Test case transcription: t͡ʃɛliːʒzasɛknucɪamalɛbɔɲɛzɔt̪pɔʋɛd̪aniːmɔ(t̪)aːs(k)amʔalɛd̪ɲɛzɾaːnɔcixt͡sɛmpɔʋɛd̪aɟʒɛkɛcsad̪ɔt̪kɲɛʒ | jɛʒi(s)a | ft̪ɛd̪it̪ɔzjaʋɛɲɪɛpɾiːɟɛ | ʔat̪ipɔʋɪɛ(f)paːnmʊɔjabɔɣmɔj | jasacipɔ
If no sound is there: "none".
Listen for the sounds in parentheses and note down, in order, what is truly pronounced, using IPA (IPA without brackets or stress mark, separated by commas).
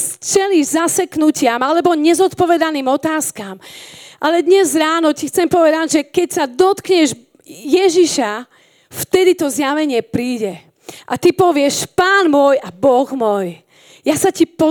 t̪, k, ʃ, ʃ